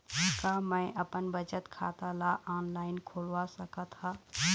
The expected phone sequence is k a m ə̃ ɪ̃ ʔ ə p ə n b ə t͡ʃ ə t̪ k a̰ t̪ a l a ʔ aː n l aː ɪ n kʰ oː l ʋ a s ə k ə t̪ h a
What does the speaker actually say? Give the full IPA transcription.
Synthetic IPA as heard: k a m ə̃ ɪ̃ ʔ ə p ə n b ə t͡ʃ ə t̪ kʰ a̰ t̪ a l a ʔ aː n l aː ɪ n kʰ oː l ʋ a s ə k ə t̪ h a